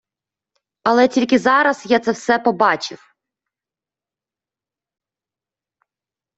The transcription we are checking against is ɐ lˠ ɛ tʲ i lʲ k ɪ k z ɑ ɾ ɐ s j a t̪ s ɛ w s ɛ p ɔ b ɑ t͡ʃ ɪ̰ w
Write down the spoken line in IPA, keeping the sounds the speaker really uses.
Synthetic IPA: ɐ lˠ ɛ tʲ i lʲ k ɪ z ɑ ɾ ɐ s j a t̪ s ɛ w s ɛ p ɔ b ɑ t͡ʃ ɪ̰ w